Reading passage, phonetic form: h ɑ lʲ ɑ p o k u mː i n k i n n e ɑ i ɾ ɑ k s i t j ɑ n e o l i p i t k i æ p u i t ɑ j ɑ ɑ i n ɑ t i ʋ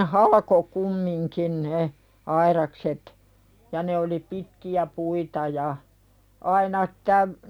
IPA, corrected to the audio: h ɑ lʲ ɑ k o k u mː i ŋ k i n n e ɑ i ɾ ɑ k s e t j ɑ n e o l i p i t k i æ p u i t ɑ j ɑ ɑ i n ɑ t æ ʋ